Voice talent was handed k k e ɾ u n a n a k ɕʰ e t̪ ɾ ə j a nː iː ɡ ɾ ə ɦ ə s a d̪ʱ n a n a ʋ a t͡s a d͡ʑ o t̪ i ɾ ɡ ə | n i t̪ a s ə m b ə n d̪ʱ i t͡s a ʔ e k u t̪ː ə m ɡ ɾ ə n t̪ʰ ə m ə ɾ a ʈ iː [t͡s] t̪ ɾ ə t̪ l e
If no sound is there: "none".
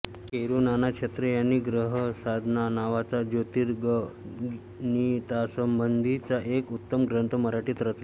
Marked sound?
none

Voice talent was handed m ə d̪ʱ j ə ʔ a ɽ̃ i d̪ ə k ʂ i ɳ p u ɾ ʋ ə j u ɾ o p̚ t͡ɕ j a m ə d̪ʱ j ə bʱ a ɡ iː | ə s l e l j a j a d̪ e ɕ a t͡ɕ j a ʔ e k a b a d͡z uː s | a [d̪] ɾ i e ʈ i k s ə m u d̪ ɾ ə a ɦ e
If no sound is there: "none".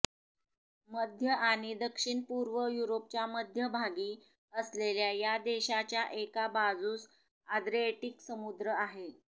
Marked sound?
d̪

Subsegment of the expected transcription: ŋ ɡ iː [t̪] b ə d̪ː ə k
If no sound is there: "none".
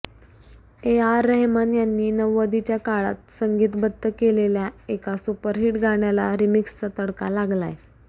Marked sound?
t̪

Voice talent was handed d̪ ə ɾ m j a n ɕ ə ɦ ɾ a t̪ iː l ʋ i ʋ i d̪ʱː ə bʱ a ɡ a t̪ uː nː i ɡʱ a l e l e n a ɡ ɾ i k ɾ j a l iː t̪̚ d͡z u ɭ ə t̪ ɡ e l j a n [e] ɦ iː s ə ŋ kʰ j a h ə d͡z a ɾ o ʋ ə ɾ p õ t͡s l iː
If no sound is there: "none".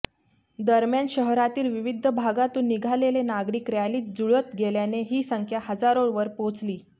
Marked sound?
e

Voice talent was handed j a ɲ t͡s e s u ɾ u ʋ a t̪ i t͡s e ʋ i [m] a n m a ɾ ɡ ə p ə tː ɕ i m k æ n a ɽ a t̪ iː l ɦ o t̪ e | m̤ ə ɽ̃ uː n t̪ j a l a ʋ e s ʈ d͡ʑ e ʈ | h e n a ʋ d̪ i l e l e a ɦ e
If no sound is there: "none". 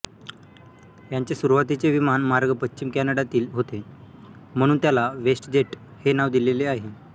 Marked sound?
m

